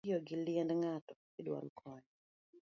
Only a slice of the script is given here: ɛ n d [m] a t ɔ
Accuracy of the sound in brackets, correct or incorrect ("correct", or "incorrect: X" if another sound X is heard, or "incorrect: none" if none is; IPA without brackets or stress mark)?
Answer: incorrect: ŋ